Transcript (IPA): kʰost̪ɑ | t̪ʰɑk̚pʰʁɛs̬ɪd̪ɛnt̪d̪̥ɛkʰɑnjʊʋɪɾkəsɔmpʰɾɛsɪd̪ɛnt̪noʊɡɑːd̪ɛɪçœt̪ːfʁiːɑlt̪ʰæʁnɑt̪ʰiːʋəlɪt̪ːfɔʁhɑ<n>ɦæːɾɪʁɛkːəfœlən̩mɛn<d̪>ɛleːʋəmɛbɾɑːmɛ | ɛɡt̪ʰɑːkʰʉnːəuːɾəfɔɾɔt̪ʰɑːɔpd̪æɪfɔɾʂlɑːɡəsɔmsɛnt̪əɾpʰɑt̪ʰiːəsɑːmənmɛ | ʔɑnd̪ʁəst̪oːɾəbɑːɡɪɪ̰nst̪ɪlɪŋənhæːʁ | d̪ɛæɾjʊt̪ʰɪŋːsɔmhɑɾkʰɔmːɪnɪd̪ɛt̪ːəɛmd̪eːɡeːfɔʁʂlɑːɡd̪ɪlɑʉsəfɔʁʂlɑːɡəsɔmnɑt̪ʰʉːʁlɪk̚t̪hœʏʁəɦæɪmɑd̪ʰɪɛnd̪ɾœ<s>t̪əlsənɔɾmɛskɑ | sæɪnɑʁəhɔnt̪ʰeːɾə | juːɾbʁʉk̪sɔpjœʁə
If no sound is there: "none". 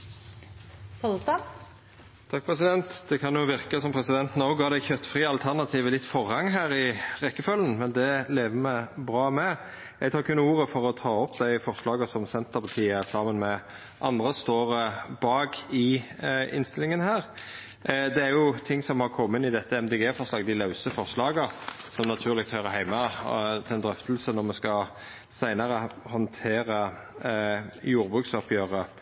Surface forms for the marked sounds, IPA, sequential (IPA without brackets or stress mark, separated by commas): ŋ, d̪, f